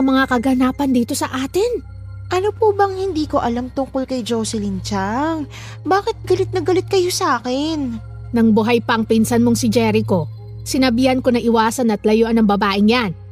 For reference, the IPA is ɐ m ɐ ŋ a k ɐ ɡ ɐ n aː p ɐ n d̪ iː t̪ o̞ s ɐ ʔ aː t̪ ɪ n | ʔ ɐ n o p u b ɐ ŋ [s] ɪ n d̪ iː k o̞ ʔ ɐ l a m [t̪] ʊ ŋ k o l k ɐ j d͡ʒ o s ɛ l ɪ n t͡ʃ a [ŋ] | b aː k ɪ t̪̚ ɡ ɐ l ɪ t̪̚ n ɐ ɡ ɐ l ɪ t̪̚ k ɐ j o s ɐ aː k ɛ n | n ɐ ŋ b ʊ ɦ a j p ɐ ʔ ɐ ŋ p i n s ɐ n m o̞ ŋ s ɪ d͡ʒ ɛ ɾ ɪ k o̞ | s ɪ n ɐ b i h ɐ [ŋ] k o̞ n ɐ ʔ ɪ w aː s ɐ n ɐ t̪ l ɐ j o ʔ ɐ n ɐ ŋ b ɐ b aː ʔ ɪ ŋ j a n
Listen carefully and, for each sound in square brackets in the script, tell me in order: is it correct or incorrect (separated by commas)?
incorrect, correct, correct, incorrect